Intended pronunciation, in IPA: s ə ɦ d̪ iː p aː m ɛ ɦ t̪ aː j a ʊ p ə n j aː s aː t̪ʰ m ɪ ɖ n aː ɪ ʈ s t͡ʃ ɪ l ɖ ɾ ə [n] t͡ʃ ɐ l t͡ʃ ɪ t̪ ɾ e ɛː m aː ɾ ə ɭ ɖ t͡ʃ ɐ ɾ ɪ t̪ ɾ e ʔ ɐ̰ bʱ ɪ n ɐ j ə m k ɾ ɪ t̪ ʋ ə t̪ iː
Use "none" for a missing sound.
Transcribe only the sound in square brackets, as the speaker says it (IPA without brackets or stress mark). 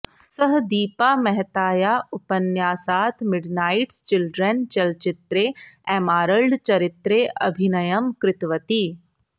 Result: n